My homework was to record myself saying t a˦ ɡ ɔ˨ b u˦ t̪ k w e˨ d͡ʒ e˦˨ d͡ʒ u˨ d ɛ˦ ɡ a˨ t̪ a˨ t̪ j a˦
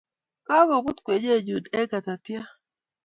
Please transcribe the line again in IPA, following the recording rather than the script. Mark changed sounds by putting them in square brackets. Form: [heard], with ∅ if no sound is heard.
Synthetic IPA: [k] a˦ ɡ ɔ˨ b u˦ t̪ k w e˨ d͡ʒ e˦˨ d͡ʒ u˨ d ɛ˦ ɡ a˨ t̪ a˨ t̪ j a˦

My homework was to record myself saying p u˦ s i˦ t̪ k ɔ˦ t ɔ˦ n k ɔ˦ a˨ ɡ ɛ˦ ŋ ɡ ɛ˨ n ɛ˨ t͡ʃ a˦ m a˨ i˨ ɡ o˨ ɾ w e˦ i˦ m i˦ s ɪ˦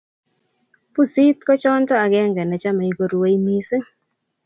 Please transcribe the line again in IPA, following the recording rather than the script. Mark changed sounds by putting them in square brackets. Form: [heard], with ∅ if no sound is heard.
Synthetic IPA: p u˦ s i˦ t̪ k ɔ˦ [t͡ʃ] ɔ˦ n [t] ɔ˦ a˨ ɡ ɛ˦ ŋ ɡ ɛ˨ n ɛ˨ t͡ʃ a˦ m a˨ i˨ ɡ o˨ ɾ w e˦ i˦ m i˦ s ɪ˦

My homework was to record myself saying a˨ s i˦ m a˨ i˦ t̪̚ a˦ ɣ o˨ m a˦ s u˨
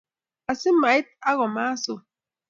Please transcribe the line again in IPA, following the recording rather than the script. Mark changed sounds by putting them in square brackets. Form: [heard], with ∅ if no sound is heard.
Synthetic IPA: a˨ s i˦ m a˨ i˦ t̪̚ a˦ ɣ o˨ m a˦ s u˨

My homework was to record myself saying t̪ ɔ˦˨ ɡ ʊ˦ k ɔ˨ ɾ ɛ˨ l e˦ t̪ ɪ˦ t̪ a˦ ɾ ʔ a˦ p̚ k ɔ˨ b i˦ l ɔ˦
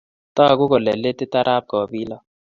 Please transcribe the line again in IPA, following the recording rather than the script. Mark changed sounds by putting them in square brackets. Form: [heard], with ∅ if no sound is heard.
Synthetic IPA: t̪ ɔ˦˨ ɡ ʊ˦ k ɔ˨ [l] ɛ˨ l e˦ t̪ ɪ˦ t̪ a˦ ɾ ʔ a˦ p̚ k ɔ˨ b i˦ l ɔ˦

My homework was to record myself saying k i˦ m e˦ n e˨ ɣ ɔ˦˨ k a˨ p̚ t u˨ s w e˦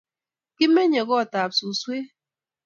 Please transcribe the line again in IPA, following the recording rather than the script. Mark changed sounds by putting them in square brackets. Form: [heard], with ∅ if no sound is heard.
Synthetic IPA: k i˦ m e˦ [ɲ] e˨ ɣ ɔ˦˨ [t] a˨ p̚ [s] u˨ s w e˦

